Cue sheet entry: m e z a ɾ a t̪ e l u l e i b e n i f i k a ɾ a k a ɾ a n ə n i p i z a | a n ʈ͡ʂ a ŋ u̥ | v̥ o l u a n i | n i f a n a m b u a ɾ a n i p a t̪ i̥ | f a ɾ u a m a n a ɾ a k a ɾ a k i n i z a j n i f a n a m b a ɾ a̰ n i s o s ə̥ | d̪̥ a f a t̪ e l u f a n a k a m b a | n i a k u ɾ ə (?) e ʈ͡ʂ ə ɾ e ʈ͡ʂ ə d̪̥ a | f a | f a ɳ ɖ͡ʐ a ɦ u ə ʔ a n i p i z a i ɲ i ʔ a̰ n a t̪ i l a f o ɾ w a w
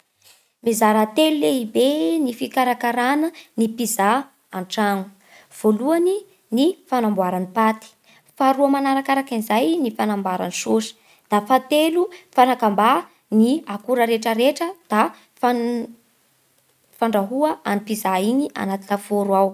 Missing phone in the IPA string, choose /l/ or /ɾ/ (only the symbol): ɾ